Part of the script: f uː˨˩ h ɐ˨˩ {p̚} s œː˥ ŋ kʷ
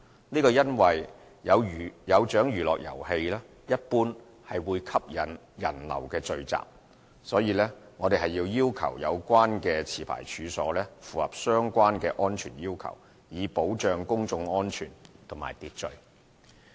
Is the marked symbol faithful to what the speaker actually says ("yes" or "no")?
yes